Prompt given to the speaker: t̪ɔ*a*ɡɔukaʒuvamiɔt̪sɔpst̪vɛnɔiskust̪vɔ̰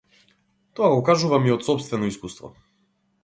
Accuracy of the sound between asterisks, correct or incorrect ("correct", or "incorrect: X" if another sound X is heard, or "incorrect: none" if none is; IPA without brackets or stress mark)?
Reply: correct